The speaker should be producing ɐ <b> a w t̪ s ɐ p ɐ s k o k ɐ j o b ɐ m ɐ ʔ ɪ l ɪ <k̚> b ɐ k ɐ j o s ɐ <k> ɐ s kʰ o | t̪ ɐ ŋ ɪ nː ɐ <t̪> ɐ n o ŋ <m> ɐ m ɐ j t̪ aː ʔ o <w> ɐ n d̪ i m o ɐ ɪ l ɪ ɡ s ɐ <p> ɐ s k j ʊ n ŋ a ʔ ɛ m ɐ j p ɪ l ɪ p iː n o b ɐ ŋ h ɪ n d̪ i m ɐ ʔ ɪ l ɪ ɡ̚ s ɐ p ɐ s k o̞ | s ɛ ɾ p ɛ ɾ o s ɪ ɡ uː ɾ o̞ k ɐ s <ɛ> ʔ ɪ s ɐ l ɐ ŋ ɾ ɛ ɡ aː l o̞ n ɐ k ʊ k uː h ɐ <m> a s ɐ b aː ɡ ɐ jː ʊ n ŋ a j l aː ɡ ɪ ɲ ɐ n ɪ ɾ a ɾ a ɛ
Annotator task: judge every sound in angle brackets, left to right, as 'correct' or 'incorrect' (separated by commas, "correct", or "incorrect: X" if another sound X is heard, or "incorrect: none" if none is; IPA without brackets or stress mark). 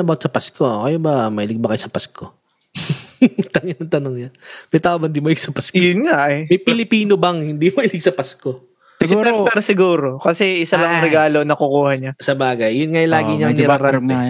correct, incorrect: ɡ̚, incorrect: p, correct, incorrect: ɲ, incorrect: b, correct, correct, incorrect: ɲ